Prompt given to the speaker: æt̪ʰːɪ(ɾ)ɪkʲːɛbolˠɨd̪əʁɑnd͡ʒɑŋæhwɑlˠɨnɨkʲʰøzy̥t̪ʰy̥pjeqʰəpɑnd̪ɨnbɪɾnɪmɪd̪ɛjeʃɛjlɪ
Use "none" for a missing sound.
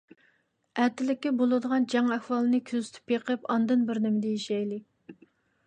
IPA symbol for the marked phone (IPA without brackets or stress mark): l